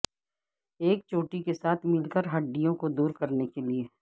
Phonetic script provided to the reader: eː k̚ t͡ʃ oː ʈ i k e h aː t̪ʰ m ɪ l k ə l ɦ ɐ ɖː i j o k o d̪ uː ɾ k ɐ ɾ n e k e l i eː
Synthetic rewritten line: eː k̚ t͡ʃ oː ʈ i k e s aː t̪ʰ m ɪ l k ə ɾ ɦ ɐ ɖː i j õ k o d̪ uː ɾ k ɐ ɾ n e k e l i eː